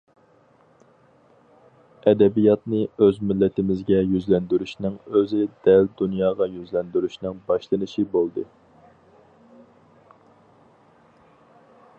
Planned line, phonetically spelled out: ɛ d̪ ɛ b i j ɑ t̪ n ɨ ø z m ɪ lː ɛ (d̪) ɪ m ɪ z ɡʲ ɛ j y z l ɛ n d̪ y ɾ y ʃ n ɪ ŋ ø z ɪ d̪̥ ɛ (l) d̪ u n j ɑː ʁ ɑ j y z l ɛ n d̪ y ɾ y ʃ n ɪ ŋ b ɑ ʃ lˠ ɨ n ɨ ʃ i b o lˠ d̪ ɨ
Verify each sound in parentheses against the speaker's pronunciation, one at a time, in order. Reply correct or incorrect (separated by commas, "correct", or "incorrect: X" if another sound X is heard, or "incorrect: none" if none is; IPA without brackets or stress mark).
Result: incorrect: t̪, correct